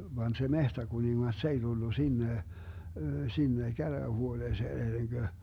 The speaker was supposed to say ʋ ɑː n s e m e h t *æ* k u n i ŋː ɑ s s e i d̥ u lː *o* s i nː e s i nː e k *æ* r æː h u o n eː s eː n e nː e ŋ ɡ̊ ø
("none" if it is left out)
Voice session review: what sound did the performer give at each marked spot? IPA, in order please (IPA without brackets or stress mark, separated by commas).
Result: æ, u, æ